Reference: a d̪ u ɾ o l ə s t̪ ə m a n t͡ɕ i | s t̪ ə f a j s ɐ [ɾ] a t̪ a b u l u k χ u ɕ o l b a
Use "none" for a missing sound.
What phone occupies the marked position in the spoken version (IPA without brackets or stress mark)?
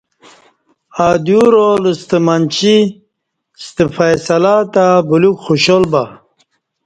l